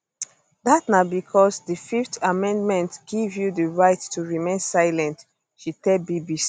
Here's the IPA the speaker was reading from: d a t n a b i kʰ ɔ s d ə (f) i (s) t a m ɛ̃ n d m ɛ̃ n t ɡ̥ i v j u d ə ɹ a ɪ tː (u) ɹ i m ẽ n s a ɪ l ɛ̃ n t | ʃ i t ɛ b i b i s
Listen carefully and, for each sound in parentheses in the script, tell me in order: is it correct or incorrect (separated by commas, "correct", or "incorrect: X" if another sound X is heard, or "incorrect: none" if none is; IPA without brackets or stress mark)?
correct, incorrect: f, correct